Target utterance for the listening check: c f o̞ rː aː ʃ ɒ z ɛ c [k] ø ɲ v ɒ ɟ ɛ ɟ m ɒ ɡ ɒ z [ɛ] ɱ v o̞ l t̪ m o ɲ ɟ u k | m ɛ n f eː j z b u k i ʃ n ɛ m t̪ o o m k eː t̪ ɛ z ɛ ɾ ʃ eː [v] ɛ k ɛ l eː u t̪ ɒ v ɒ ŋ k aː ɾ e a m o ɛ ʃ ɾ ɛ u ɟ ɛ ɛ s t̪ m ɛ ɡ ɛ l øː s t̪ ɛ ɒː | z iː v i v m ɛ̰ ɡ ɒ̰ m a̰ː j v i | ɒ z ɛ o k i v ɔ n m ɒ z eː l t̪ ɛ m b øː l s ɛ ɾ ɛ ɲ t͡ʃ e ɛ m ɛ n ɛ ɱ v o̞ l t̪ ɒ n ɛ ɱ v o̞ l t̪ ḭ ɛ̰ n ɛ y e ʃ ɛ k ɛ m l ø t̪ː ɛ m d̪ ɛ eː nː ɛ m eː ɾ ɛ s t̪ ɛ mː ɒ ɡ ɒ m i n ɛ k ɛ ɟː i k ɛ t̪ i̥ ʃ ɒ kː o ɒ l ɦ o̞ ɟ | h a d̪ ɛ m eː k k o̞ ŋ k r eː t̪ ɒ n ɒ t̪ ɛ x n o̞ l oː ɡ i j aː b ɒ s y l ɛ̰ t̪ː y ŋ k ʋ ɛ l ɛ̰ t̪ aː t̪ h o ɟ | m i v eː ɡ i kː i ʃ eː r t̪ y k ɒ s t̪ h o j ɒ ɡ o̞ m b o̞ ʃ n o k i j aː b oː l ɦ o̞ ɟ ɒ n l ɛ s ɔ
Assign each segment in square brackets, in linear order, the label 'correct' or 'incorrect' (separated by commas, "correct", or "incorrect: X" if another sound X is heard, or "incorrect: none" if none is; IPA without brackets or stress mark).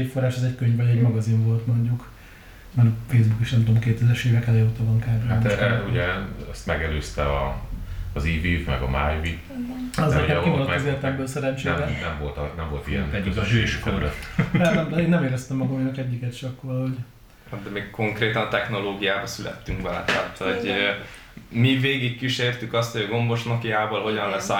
correct, incorrect: i, correct